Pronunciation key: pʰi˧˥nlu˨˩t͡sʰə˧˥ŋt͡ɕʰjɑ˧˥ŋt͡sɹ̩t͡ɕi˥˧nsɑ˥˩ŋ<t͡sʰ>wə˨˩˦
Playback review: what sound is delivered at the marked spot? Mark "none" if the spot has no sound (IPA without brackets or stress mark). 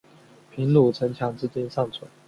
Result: t͡sʰ